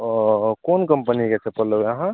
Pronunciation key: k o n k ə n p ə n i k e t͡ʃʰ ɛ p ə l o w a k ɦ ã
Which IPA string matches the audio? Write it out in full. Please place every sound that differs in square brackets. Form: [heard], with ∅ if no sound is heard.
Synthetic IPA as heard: k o n k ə [m] p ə n i k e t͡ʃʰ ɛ p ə l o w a [∅] ɦ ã